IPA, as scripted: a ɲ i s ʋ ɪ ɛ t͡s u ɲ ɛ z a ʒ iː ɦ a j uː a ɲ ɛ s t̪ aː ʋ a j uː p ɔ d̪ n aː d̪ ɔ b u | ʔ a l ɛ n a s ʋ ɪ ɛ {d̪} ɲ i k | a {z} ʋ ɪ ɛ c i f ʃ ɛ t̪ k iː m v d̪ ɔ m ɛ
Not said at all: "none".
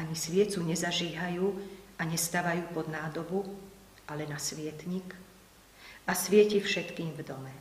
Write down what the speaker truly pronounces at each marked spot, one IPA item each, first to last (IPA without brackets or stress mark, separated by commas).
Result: t̪, s